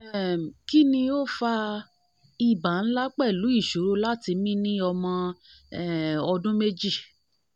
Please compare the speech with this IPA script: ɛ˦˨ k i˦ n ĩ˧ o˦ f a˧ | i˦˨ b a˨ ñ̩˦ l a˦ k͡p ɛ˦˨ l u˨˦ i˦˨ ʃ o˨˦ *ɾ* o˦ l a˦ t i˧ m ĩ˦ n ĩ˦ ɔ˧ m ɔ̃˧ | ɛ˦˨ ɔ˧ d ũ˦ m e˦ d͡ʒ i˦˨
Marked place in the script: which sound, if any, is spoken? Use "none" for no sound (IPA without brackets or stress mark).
ɾ